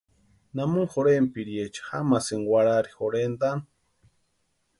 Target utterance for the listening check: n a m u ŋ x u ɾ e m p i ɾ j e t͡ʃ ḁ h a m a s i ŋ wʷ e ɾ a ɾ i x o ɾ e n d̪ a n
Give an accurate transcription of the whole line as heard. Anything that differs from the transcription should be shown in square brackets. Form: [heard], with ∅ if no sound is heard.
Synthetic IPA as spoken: n a m u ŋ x [o] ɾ e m p i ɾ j e t͡ʃ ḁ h a m a s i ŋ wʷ [a] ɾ a ɾ i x o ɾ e n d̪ a n